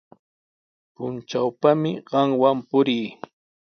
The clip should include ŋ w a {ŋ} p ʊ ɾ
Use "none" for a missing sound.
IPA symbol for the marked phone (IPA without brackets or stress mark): m